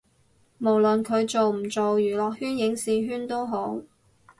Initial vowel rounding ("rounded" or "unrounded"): rounded